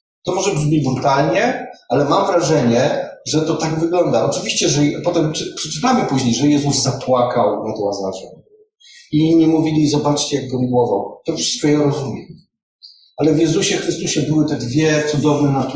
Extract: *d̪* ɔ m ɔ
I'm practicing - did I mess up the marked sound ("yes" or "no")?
yes